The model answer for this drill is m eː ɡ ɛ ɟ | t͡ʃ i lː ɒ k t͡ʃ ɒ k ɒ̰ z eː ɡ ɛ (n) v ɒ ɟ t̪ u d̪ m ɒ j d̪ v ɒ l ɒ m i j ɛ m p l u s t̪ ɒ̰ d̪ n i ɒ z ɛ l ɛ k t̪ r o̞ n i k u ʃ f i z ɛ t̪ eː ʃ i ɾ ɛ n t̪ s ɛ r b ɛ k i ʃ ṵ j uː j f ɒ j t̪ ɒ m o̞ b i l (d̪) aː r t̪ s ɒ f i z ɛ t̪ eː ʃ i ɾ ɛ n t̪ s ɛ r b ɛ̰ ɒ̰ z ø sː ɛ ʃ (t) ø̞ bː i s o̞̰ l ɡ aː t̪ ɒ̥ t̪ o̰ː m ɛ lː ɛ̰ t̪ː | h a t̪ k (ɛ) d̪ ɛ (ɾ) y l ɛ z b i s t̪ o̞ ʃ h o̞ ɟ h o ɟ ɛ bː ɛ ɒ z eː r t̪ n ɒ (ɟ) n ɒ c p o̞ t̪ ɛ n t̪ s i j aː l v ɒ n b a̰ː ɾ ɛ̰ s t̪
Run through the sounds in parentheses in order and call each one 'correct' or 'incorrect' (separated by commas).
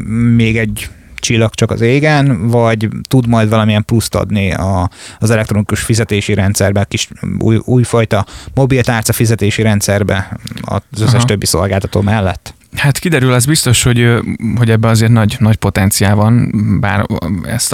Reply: correct, incorrect, correct, incorrect, correct, correct